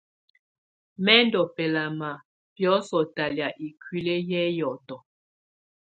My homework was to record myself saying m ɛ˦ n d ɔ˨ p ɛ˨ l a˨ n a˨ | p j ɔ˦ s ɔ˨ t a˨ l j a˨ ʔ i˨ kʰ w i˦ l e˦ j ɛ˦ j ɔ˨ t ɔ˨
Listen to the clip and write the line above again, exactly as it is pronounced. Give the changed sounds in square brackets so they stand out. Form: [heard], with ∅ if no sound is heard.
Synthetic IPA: m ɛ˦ n d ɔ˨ p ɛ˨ l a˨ [m] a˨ | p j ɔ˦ s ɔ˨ t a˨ l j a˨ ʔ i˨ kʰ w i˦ l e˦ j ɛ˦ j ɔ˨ t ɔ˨